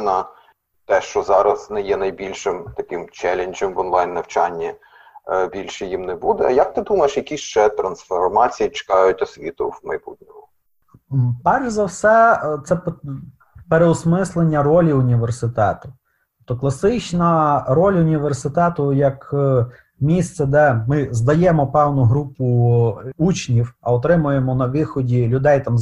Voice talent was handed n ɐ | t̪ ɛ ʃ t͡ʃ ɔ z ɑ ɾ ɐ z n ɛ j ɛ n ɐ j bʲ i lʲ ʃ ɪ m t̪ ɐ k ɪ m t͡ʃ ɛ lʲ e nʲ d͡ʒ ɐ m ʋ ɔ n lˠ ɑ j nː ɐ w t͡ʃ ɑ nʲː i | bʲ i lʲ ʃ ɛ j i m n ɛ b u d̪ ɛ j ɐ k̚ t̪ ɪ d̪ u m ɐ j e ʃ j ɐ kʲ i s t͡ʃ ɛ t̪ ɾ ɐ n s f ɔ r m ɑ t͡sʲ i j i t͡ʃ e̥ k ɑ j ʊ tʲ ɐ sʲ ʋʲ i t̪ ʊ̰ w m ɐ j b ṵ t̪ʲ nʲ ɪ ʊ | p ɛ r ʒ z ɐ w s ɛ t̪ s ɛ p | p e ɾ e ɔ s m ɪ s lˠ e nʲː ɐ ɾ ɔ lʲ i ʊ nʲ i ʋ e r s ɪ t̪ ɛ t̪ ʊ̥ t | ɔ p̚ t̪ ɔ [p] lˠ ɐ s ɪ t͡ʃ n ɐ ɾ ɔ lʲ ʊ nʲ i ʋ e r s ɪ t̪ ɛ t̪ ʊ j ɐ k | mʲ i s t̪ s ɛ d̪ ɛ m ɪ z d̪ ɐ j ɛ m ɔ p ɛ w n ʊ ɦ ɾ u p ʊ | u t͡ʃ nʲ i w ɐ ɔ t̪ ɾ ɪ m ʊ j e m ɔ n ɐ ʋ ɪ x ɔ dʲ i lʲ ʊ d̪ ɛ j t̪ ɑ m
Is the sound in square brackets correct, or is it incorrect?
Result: incorrect